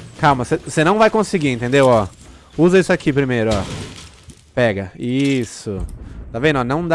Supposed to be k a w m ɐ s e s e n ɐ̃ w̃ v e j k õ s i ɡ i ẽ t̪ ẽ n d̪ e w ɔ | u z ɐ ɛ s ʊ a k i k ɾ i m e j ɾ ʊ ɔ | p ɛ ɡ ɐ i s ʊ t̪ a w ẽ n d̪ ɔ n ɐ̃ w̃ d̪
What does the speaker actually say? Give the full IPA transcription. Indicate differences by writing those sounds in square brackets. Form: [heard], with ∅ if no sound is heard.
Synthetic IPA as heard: k a w m ɐ s e s e n ɐ̃ w̃ v [a] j k õ s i ɡ i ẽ t̪ ẽ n d̪ e w ɔ | u z ɐ [i] s ʊ a k i [p] ɾ i m e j ɾ ʊ ɔ | p ɛ ɡ ɐ i s ʊ t̪ a [v] ẽ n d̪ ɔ n ɐ̃ w̃ d̪